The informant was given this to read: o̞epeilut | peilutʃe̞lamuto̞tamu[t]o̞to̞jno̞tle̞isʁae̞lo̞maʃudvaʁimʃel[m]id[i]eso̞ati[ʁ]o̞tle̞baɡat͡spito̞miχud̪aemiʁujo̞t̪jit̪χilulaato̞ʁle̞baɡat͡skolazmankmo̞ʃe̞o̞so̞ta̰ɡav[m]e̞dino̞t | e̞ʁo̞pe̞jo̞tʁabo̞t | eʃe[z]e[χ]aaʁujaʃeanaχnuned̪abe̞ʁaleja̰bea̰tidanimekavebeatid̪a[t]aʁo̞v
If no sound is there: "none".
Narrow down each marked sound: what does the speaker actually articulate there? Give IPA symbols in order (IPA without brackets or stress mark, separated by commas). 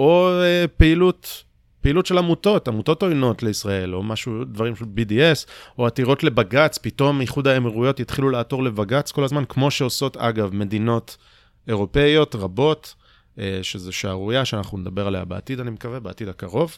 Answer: t, b, i, ʁ, m, z, ʃ, k